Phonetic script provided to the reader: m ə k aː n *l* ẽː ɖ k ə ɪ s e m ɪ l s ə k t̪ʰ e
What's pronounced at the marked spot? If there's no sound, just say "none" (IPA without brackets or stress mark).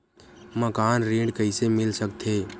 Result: ɾ